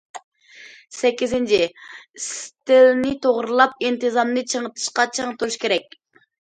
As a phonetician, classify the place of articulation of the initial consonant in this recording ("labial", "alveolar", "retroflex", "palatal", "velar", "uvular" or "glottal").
alveolar